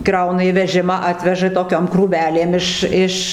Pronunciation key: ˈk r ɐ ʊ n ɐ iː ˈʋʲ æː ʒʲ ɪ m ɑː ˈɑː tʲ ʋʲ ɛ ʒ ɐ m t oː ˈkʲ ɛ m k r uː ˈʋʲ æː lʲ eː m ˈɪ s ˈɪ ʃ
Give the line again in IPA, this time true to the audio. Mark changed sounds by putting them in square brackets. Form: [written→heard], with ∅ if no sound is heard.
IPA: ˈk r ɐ ʊ n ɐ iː ˈʋʲ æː ʒʲ ɪ m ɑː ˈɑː tʲ ʋʲ ɛ ʒ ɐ [m→∅] t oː ˈkʲ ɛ m k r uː ˈʋʲ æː lʲ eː m ˈɪ [s→ʃ] ˈɪ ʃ